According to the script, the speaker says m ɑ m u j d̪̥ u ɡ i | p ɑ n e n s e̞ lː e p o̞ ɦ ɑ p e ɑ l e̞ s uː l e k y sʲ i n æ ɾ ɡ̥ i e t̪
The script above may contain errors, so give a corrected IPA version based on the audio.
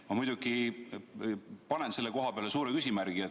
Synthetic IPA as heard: m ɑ m u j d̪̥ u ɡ i | p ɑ n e n s e̞ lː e k o̞ ɦ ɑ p e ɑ l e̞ s uː ɾ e k y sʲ i m æ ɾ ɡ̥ i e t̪